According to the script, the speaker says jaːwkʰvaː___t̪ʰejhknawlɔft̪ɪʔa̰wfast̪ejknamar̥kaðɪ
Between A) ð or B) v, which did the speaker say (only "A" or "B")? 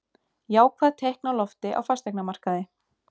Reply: A